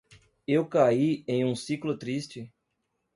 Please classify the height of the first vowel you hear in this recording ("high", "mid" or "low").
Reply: mid